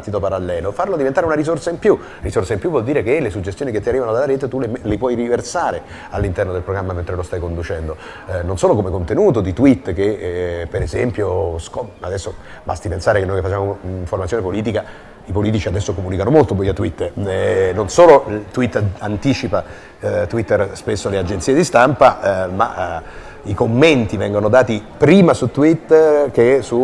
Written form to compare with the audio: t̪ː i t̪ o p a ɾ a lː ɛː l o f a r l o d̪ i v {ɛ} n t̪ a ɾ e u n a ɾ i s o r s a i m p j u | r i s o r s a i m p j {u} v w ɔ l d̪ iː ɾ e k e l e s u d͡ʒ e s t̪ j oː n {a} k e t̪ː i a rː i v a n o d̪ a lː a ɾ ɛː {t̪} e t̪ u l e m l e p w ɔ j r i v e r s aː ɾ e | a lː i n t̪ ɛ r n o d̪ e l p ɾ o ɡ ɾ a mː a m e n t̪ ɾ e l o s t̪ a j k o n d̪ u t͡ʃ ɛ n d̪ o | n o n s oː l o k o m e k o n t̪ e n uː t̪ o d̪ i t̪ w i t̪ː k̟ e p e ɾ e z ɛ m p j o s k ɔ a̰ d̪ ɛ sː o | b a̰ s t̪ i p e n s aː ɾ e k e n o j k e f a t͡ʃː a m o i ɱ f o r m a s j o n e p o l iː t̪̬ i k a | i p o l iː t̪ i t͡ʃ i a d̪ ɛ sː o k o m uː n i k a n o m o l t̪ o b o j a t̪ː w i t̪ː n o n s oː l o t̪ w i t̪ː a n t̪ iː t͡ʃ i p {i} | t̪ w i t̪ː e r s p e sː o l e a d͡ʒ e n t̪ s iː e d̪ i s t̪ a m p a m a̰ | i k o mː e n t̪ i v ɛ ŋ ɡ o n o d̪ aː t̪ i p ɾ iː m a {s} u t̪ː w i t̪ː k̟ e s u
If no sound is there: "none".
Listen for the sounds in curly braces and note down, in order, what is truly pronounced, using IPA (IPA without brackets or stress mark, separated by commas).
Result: e, u, i, t̪, a, s